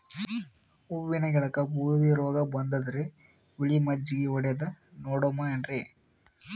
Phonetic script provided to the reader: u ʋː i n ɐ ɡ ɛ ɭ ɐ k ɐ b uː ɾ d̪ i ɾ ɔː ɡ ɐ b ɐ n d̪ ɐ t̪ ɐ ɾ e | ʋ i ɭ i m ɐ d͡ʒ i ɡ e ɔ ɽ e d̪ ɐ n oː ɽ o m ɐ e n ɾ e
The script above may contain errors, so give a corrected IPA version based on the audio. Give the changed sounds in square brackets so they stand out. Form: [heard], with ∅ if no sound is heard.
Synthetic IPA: u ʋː i n ɐ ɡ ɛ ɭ ɐ k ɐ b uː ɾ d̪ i ɾ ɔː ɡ ɐ b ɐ n d̪ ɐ [d̪] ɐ ɾ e | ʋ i ɭ i m ɐ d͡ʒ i ɡ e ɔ ɽ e d̪ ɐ n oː ɽ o m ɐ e n ɾ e